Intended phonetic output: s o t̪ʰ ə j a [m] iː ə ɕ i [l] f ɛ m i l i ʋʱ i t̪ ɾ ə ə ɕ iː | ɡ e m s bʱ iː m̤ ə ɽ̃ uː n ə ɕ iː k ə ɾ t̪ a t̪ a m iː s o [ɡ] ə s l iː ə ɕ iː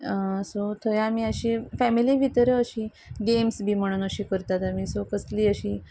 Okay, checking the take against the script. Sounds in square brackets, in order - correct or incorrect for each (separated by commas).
correct, incorrect, incorrect